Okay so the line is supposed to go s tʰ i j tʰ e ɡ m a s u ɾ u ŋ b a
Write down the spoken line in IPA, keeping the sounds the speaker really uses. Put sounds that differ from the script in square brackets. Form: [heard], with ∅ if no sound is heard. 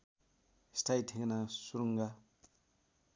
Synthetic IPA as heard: s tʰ [a] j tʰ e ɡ [n] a s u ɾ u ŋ [ɡ] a